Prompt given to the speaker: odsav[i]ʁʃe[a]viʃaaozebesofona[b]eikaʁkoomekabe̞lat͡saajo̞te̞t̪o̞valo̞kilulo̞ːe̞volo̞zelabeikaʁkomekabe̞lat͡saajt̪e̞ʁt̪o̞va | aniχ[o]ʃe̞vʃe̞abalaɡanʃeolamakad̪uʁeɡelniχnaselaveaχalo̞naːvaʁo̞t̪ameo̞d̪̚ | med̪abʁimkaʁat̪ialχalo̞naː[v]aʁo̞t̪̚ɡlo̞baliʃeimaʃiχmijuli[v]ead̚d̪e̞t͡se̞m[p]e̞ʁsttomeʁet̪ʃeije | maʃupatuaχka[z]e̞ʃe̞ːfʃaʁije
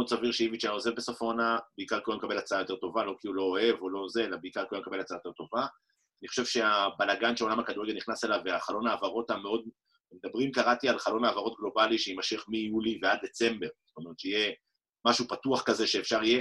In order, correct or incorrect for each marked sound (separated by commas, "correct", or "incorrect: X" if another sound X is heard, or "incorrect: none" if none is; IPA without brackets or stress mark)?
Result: correct, incorrect: i, correct, correct, correct, correct, incorrect: b, correct